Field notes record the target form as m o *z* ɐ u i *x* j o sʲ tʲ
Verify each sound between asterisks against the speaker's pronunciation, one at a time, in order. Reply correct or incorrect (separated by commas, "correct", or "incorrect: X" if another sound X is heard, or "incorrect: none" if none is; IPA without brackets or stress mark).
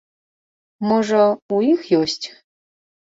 incorrect: ʐ, correct